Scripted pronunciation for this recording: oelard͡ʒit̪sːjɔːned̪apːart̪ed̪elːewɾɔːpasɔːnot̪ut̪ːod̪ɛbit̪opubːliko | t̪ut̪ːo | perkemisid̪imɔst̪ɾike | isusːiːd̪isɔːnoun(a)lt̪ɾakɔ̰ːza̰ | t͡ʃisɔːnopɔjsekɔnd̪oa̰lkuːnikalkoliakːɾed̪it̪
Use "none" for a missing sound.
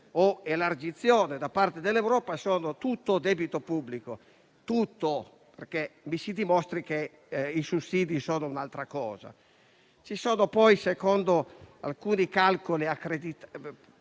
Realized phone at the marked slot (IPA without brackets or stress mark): a